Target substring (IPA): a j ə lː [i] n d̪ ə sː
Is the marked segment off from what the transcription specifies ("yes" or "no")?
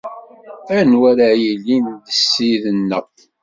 no